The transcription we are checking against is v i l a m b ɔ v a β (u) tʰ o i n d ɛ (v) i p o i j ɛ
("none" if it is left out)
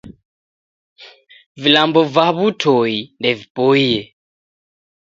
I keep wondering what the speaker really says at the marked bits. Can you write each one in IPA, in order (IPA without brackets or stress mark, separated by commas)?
u, v